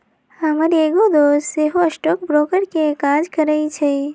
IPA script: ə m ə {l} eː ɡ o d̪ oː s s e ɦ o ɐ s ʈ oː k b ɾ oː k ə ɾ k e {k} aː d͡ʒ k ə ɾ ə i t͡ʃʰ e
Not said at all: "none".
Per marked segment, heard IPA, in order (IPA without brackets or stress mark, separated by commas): ɾ, k